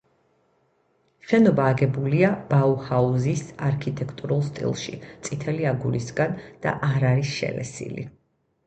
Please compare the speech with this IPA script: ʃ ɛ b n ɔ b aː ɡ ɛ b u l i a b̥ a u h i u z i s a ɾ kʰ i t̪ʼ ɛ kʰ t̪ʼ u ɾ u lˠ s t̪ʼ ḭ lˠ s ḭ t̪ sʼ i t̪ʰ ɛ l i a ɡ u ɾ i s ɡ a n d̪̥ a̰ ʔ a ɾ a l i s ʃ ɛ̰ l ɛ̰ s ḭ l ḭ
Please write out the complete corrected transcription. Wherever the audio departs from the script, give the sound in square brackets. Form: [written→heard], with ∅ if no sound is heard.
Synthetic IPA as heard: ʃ ɛ [b→∅] n ɔ b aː ɡ ɛ b u l i a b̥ a u h [i→a] u z i s a ɾ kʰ i t̪ʼ ɛ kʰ t̪ʼ u ɾ u lˠ s t̪ʼ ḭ lˠ [s→ʃ] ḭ t̪ sʼ i t̪ʰ ɛ l i a ɡ u ɾ i s ɡ a n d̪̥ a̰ ʔ a ɾ a [l→ɾ] i s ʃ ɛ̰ l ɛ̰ s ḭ l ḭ